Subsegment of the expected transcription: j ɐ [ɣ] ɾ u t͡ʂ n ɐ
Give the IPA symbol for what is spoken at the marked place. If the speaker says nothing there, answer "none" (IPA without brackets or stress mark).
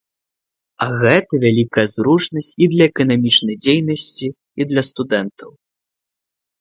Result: z